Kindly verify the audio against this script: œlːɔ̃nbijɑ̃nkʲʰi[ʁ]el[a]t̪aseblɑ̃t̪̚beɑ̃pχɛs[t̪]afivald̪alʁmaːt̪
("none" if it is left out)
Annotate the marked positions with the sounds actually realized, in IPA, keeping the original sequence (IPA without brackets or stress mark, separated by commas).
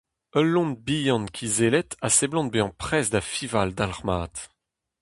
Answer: z, ɛ, d̪